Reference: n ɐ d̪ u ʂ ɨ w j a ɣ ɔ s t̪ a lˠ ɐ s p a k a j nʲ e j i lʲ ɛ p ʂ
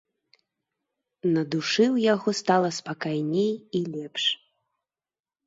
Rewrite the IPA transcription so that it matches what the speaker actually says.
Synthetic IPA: n ɐ d̪ u ʂ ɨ w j a ɣ ɔ s t̪ a lˠ ɐ s p a k a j nʲ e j i lʲ ɛ p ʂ